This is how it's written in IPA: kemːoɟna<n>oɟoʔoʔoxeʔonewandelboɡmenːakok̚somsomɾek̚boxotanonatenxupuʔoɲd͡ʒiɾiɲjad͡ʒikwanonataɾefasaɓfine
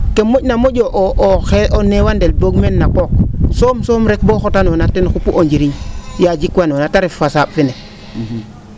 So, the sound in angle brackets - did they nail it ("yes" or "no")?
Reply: no